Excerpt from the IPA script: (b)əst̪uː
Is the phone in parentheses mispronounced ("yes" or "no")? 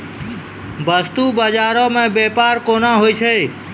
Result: no